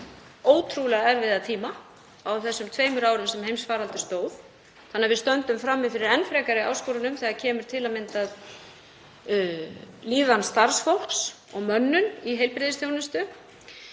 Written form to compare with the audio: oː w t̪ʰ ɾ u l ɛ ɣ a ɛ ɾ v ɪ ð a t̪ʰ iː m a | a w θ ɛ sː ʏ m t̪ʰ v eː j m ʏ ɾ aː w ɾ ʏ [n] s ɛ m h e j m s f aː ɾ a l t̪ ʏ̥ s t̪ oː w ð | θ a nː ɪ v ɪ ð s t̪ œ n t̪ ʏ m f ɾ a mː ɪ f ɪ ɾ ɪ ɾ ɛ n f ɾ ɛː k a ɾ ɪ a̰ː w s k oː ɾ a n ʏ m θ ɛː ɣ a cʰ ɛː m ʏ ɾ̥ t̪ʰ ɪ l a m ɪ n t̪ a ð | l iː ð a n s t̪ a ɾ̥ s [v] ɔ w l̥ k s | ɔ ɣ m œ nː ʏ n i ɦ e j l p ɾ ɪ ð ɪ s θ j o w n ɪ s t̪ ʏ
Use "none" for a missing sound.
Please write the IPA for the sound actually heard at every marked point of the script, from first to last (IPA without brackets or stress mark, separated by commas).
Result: m, f